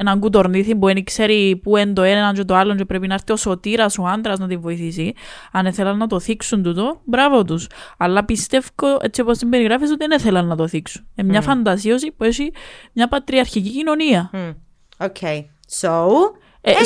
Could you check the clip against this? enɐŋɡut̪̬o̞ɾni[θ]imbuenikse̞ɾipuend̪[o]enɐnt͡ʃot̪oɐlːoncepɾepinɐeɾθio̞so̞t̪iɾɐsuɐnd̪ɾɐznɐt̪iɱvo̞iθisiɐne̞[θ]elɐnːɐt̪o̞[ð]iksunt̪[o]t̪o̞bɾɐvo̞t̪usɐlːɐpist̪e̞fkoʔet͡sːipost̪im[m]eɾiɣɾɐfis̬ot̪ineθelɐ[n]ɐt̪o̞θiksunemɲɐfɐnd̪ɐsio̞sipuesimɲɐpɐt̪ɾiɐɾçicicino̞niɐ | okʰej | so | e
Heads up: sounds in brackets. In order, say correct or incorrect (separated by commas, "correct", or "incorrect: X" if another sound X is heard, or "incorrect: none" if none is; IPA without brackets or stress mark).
correct, correct, correct, incorrect: θ, incorrect: u, incorrect: b, incorrect: nː